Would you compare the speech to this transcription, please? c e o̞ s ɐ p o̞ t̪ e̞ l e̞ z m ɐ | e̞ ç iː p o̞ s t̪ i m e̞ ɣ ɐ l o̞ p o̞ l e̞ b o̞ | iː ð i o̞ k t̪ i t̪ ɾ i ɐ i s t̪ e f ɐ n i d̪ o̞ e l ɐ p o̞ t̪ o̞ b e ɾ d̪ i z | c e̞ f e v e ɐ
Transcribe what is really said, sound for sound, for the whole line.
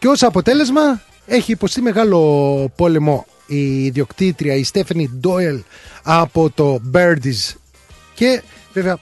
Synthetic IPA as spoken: c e o̞ s ɐ p o̞ t̪ e̞ l e̞ z m ɐ | e̞ ç iː p o̞ s t̪ i m e̞ ɣ ɐ l o̞ p o̞ l e̞ m o̞ | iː ð i o̞ k t̪ i t̪ ɾ i ɐ i s t̪ e f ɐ n i d̪ o̞ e l ɐ p o̞ t̪ o̞ b e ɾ d̪ i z | c e̞ v e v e ɐ